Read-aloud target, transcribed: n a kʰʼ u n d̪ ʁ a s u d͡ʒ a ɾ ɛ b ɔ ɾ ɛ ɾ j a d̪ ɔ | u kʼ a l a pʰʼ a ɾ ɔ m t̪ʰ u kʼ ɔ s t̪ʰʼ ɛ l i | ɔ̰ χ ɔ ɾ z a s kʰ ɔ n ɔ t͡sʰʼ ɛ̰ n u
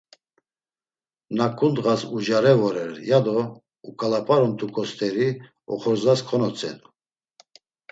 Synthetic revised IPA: n a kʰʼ u n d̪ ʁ a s u d͡ʒ a ɾ ɛ v ɔ ɾ ɛ ɾ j a d̪ ɔ | u kʼ a l a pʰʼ a ɾ ɔ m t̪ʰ u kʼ ɔ s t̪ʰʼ ɛ ɾ i | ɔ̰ χ ɔ ɾ z a s kʰ ɔ n ɔ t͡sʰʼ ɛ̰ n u